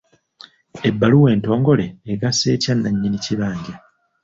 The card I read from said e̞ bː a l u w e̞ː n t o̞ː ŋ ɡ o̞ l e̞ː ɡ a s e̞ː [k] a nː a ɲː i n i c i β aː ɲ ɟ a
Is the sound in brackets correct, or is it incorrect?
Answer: incorrect